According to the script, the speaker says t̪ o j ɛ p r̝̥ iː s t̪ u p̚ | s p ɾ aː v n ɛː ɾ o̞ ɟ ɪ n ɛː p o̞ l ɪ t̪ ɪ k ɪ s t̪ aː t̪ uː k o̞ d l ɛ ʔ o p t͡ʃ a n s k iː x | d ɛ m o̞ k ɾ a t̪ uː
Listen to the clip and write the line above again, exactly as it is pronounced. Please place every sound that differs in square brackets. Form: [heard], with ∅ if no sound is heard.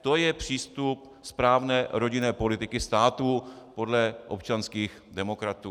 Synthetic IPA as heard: t̪ o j ɛ p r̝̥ iː s t̪ u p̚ | s p ɾ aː v n ɛː ɾ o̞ ɟ ɪ n ɛː p o̞ l ɪ t̪ ɪ k ɪ s t̪ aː t̪ uː [p] o̞ d l ɛ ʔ o p t͡ʃ a n s k iː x | d ɛ m o̞ k ɾ a t̪ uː